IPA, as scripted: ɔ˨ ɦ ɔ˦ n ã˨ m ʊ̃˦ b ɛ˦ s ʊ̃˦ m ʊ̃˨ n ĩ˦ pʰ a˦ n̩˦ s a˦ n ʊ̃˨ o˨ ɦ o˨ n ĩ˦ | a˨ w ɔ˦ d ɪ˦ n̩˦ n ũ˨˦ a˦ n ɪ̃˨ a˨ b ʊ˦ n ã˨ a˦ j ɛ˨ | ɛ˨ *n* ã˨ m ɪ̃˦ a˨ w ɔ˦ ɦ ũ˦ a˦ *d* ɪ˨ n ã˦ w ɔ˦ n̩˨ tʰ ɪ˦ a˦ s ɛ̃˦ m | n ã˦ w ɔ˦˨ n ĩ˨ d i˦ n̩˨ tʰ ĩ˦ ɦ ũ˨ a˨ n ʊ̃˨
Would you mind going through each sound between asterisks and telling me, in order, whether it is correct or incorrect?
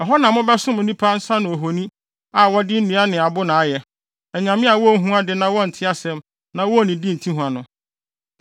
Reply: incorrect: ɲ, correct

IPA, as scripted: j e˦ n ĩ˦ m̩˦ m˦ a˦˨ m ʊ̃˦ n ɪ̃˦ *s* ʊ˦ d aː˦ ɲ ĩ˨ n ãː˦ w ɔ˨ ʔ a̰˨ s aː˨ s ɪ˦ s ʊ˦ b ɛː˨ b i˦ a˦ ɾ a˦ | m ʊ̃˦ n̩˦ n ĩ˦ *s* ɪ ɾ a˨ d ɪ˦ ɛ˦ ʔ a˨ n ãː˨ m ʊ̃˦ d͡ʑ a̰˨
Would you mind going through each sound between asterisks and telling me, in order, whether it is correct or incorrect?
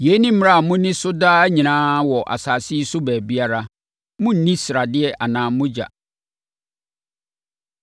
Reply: correct, correct

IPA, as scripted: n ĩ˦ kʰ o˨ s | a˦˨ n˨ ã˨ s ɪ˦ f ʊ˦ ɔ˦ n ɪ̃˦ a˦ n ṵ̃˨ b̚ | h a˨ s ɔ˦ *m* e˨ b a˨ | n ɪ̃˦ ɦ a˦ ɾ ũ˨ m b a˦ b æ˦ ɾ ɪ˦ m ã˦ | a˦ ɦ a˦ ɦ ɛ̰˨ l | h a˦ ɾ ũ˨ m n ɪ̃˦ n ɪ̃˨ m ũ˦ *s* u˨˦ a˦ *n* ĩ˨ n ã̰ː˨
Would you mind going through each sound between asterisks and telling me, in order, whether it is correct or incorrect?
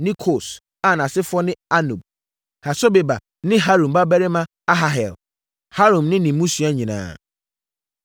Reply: incorrect: b, correct, incorrect: ɲ

